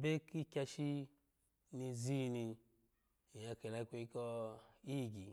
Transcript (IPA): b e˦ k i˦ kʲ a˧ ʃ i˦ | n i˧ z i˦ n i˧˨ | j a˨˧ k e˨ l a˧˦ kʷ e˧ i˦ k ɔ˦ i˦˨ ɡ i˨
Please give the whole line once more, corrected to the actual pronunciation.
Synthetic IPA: b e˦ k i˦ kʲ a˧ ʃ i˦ | n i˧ z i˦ n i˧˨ | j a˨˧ k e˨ l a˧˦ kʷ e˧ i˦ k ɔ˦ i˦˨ ɡ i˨